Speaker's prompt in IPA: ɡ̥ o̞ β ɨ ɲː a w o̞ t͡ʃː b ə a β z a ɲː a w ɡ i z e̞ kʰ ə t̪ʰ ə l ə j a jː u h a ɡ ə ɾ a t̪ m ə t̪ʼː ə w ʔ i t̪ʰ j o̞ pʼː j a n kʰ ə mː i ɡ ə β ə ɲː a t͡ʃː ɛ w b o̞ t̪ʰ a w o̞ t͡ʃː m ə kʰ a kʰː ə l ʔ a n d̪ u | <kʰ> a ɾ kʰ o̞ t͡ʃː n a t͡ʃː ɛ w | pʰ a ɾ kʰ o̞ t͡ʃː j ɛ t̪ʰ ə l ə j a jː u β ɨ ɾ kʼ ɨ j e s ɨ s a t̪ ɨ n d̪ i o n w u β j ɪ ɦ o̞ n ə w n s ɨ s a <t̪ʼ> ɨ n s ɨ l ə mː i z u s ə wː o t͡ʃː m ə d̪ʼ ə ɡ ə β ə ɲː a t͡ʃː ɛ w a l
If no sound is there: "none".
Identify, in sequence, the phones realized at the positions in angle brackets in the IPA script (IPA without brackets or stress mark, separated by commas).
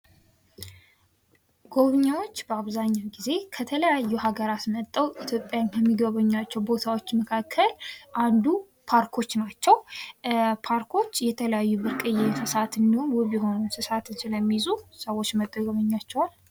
pʰ, t̪